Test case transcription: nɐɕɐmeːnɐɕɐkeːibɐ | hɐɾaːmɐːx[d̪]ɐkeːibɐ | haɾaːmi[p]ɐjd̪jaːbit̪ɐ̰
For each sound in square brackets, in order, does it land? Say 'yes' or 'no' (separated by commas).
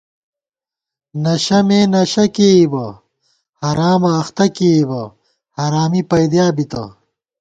no, yes